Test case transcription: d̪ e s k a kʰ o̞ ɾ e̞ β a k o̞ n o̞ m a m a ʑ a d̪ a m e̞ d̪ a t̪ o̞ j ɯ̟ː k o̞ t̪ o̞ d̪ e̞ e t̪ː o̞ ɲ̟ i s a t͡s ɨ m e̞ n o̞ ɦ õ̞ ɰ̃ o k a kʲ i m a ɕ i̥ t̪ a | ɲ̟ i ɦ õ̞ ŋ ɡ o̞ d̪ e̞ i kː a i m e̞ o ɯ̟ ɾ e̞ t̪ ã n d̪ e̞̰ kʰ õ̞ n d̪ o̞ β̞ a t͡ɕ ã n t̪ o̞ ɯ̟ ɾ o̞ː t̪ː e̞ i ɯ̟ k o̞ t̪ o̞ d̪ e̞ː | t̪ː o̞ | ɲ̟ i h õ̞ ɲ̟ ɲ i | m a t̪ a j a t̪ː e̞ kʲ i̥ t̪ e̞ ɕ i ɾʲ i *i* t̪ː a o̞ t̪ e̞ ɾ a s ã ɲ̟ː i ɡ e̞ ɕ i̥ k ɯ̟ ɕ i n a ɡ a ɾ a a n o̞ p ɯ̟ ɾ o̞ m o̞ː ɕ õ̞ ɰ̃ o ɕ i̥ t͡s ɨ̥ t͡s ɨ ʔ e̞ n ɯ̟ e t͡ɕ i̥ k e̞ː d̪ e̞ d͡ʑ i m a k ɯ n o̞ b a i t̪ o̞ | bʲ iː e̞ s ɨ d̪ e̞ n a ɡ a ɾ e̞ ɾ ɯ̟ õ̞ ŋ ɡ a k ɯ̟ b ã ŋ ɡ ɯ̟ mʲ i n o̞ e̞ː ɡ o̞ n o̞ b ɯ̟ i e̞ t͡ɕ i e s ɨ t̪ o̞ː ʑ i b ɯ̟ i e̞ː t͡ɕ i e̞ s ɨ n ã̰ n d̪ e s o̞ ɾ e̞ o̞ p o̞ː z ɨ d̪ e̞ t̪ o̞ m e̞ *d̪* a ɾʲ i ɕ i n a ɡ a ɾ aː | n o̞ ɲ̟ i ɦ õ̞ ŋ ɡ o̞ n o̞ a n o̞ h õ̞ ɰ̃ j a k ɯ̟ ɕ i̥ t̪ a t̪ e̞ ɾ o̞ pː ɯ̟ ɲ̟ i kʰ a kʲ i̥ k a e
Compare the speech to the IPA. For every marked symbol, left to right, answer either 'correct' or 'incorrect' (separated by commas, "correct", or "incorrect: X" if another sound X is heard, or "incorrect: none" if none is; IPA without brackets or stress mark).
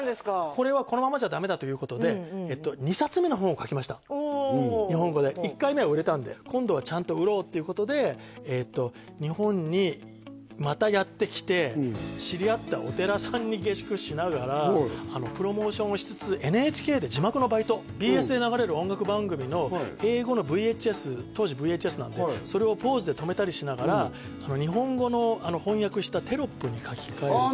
incorrect: a, incorrect: t̪